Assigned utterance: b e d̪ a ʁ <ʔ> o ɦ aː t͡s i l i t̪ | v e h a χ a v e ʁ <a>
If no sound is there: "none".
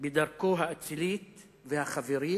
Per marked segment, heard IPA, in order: k, i

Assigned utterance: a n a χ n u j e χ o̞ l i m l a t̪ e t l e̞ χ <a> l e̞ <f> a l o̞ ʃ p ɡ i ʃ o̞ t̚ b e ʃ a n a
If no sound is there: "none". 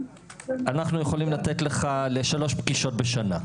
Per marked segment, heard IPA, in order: a, ʃ

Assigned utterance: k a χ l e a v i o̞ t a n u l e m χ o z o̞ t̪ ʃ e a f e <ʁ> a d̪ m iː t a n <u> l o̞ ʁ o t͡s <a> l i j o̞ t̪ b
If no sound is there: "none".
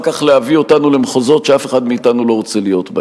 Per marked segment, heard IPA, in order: χ, u, e

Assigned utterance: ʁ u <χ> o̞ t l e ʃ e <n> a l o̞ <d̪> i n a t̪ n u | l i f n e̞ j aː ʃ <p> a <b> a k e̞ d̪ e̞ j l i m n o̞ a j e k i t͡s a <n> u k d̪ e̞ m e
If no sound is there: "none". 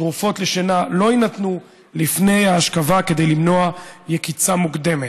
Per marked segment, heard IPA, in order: f, n, none, k, v, m

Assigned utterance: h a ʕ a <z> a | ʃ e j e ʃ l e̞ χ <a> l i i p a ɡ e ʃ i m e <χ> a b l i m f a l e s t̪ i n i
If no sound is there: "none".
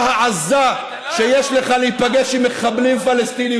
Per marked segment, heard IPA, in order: z, a, χ

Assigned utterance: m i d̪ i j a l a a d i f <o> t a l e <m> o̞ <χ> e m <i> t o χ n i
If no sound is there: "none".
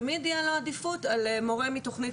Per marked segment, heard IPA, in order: u, m, ʁ, i

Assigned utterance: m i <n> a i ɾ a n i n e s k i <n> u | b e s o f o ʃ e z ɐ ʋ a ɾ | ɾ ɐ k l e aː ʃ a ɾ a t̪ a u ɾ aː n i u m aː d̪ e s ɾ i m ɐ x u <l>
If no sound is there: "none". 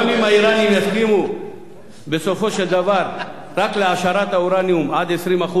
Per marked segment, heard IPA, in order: m, m, none

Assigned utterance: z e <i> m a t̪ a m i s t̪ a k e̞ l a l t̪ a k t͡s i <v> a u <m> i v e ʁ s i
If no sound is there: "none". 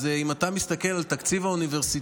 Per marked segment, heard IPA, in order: i, v, n

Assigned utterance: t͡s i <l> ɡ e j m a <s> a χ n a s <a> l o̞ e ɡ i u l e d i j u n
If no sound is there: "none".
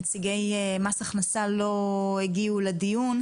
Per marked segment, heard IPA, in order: none, s, a

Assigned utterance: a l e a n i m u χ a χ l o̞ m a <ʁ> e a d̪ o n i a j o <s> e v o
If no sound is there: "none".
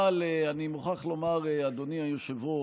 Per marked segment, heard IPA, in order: ʁ, ʃ

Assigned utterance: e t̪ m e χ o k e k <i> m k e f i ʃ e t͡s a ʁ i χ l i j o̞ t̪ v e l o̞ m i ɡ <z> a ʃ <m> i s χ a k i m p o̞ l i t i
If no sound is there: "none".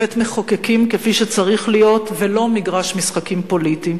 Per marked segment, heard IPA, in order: i, ʁ, m

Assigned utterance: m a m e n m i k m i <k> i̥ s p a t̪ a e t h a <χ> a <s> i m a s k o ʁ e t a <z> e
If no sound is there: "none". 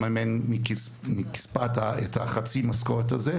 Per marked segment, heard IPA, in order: k, χ, t͡s, z

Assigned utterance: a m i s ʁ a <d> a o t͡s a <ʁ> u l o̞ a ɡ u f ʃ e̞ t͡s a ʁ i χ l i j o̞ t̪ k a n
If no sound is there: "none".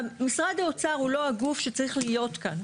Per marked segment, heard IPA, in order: d, ʁ

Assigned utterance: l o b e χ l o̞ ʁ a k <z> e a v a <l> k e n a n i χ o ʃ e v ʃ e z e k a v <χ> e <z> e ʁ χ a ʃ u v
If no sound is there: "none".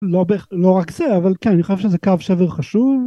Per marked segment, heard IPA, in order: z, l, ʃ, v

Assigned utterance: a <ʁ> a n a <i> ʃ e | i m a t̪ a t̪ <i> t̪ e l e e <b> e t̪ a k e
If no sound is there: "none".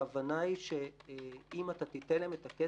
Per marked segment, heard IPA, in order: v, i, i, m

